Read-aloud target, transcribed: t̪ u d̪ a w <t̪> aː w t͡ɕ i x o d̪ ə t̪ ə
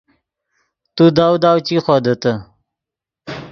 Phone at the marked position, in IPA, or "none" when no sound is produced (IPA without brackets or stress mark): d̪